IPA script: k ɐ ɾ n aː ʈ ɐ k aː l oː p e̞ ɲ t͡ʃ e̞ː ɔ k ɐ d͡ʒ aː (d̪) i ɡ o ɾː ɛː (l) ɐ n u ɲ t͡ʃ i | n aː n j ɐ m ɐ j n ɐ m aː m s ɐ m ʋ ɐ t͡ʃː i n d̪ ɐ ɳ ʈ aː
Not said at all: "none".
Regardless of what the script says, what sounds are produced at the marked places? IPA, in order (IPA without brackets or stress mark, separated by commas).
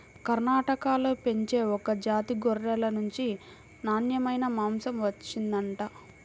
t̪, l